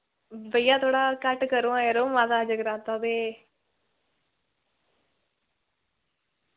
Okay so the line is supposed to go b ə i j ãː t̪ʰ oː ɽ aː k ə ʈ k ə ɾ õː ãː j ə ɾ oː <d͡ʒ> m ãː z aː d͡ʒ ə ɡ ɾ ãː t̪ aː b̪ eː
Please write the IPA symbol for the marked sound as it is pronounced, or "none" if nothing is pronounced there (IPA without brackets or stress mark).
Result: none